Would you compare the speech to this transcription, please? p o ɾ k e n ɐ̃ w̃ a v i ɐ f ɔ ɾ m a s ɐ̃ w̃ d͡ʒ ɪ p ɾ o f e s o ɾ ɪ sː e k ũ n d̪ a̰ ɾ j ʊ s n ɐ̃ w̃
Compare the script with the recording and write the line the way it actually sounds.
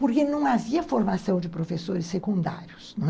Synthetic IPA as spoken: p o ɾ k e n ɐ̃ w̃ a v i ɐ f o ɾ m a s ɐ̃ w̃ d͡ʒ ɪ p ɾ o f e s o ɾ ɪ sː e k ũ n d̪ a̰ ɾ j ʊ s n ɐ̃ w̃